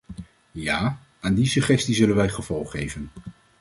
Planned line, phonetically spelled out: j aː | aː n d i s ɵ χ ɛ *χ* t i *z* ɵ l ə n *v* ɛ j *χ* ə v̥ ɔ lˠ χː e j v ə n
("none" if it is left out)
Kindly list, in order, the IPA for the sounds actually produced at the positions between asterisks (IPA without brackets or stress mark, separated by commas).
s, z, ʋ, χ